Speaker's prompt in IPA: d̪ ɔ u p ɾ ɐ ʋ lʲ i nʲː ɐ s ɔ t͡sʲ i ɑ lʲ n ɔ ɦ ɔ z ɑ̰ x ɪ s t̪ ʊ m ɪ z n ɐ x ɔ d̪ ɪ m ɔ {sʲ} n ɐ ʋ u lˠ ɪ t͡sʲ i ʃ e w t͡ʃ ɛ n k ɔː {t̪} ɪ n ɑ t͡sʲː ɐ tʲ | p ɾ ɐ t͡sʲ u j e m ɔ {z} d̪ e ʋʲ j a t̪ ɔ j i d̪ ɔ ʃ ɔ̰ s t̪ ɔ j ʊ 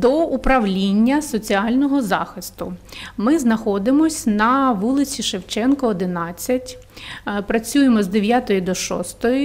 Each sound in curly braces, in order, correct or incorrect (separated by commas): correct, incorrect, correct